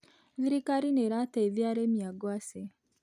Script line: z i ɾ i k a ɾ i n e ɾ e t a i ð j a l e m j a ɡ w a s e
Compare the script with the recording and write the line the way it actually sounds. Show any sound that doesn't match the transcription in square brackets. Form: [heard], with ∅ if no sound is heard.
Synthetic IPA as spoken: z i ɾ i k a ɾ i n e ɾ [a] t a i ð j a [ɾ] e m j a ɡ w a s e